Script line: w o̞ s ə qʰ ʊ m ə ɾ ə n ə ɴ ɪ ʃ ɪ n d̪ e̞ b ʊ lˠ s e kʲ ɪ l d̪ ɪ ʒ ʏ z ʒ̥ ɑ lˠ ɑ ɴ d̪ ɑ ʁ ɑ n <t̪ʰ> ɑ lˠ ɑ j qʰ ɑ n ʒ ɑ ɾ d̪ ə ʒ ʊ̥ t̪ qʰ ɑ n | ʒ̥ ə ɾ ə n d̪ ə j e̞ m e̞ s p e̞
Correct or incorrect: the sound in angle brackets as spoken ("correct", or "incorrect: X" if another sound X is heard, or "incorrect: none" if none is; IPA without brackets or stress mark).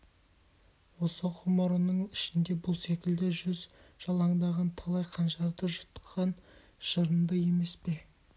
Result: correct